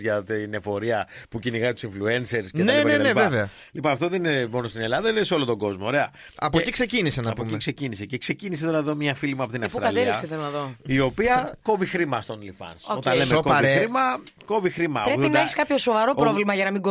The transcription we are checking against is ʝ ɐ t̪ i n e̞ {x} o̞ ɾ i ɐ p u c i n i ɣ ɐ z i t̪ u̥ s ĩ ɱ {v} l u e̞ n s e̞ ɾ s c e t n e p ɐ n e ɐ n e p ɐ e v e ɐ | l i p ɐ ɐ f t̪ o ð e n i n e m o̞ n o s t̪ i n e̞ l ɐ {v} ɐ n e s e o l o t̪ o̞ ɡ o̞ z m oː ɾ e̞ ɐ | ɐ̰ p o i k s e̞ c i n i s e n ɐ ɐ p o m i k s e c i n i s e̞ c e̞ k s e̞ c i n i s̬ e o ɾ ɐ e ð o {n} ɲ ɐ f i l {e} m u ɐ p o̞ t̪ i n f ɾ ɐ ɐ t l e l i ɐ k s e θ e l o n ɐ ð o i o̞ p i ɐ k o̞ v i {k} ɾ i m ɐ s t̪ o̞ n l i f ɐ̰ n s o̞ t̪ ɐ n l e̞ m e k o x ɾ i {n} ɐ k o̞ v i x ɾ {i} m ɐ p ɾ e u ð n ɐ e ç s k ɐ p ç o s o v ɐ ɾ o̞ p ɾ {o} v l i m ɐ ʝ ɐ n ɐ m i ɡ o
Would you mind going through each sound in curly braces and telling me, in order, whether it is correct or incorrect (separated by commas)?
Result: incorrect, incorrect, incorrect, incorrect, incorrect, incorrect, incorrect, correct, correct